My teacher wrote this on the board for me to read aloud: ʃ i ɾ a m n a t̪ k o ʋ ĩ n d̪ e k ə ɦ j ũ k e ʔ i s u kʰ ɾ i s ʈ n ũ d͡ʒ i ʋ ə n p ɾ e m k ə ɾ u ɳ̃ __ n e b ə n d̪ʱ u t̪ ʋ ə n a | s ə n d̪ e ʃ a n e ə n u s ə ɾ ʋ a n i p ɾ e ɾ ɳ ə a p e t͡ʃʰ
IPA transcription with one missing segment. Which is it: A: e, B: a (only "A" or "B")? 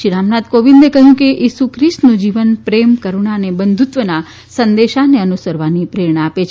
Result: B